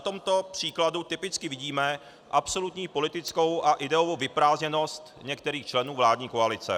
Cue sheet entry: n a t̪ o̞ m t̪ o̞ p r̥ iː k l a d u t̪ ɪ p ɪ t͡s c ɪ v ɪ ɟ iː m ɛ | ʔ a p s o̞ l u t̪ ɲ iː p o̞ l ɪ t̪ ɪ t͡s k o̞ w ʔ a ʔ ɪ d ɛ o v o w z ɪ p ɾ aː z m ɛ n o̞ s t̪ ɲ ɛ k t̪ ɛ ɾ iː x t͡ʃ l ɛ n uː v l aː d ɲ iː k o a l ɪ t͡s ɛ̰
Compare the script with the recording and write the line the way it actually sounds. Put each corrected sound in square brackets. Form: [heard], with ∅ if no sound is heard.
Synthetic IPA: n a t̪ o̞ m t̪ o̞ p r̥ iː k l a d u t̪ ɪ p ɪ t͡s [k] ɪ v ɪ ɟ iː m ɛ | ʔ a p s o̞ l u t̪ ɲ iː p o̞ l ɪ t̪ ɪ t͡s k o̞ w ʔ a ʔ ɪ d ɛ o v o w [v] ɪ p ɾ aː z [ɲ] ɛ n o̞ s t̪ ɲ ɛ k t̪ ɛ ɾ iː x t͡ʃ l ɛ n uː v l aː d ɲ iː k o a l ɪ t͡s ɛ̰